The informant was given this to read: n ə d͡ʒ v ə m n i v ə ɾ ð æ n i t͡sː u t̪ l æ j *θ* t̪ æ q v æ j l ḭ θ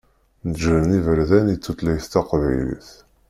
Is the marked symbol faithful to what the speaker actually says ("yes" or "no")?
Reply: yes